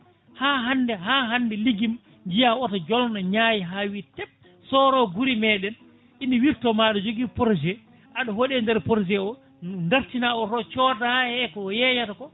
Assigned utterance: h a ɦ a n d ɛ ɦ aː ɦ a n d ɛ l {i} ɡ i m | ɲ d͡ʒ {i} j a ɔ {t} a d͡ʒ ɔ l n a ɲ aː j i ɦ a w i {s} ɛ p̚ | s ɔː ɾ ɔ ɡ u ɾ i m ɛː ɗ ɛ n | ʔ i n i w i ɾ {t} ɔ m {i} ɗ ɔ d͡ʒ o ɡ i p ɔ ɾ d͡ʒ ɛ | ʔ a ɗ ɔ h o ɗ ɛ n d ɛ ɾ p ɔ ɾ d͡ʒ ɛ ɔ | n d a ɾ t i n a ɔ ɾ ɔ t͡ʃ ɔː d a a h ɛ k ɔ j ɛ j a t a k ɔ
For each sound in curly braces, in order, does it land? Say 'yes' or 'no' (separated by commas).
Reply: yes, yes, yes, no, yes, no